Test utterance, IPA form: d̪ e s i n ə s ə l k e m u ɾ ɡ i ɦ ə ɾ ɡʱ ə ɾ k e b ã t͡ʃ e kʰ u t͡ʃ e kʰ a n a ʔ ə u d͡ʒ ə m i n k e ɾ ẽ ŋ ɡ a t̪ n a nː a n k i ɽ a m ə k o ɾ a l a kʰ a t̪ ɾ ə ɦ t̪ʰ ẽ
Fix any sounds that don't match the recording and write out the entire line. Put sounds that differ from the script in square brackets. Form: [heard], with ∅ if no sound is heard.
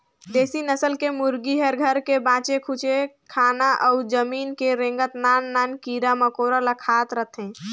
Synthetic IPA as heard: d̪ e s i n ə s ə l k e m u ɾ ɡ i ɦ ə ɾ ɡʱ ə ɾ k e b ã t͡ʃ e kʰ u t͡ʃ e kʰ a n a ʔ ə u d͡ʒ ə m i n k e ɾ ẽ ŋ ɡ [ə] t̪ n a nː a n k i [ɾ] a m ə k o ɾ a l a kʰ a t̪ ɾ ə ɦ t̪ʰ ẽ

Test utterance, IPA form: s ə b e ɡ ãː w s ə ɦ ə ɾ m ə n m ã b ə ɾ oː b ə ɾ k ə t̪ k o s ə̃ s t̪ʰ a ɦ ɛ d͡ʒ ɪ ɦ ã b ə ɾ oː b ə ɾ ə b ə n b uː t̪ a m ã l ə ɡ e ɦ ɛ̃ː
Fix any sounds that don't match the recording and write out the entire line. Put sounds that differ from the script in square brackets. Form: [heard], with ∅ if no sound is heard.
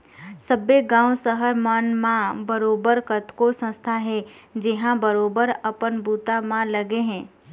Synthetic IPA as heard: s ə b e ɡ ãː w s ə ɦ ə ɾ m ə n m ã b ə ɾ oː b ə ɾ k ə t̪ k o s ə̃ s t̪ʰ a ɦ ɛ d͡ʒ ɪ ɦ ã b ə ɾ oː b ə ɾ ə [p] ə n b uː t̪ a m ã l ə ɡ e ɦ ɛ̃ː

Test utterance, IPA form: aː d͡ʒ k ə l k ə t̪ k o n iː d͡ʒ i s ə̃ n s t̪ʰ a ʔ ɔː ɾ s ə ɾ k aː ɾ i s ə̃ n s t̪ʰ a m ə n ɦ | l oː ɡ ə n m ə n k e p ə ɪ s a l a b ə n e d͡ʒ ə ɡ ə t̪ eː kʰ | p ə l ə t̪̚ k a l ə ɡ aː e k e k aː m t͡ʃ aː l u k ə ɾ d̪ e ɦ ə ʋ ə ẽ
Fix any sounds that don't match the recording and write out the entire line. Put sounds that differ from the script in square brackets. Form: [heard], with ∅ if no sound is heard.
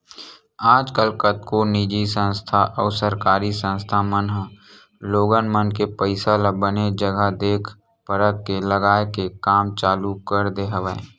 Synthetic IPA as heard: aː d͡ʒ k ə l k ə t̪ k o n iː d͡ʒ i s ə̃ n s t̪ʰ a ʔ ɔː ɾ s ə ɾ k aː ɾ i s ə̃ n s t̪ʰ a m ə n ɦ | l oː ɡ ə n m ə n k e p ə ɪ s a l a b ə n e d͡ʒ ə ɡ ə [d̪] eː kʰ | p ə [ɾ] ə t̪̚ k [e] l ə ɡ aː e k e k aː m t͡ʃ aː l u k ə ɾ d̪ e ɦ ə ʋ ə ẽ

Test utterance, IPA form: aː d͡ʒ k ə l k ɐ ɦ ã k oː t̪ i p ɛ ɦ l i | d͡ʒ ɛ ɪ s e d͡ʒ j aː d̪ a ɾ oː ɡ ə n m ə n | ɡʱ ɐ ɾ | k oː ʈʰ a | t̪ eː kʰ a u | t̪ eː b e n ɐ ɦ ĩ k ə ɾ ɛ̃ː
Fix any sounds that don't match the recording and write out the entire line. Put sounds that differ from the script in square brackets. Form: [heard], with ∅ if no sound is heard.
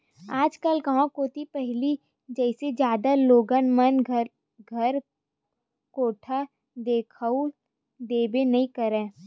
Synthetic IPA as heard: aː d͡ʒ k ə l k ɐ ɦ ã k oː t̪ i p ɛ ɦ l i | d͡ʒ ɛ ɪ s e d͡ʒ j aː d̪ a [l] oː ɡ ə n m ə n | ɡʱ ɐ ɾ | k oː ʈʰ a | [d̪] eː kʰ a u | [d̪] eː b e n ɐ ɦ ĩ k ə ɾ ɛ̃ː

